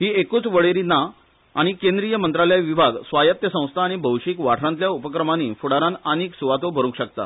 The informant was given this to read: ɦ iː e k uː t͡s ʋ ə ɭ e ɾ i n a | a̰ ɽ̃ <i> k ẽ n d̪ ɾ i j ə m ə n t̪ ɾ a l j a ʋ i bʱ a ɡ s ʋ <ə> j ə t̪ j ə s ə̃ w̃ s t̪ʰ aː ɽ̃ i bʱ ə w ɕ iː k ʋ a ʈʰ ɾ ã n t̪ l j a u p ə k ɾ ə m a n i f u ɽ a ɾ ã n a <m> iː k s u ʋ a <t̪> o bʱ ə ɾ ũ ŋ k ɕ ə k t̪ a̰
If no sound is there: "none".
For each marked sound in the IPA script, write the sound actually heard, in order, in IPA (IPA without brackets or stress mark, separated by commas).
i, a, n, t̪